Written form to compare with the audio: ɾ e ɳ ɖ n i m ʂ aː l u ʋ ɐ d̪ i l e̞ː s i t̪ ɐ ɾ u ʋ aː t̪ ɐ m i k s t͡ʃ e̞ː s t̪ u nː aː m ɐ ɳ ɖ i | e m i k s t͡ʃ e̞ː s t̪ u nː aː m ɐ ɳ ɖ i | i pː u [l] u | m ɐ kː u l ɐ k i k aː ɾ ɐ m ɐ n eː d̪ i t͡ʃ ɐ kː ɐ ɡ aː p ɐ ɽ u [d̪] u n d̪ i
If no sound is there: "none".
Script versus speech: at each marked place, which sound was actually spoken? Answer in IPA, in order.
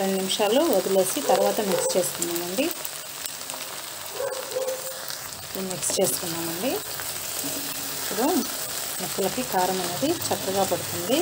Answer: ɽ, t̪

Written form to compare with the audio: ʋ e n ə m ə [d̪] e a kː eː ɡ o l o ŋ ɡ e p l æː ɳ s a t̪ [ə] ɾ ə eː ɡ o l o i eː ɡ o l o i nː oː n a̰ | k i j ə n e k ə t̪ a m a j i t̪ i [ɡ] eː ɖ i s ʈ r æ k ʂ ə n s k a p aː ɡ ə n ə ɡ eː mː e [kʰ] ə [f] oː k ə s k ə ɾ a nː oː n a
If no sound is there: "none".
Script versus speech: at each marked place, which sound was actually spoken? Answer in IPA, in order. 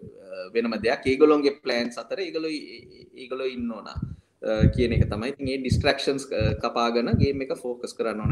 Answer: d̪, ə, ŋ, k, f

